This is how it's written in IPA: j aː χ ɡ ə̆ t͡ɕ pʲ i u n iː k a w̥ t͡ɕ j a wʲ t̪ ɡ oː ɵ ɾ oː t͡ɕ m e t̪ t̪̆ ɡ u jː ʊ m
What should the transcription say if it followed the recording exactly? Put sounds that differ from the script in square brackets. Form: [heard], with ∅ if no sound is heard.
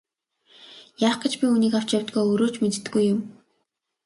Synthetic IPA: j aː χ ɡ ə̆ t͡ɕ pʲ i u n iː k a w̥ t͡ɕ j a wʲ t̪ ɡ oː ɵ ɾ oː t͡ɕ m e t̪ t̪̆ ɡ u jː ʊ m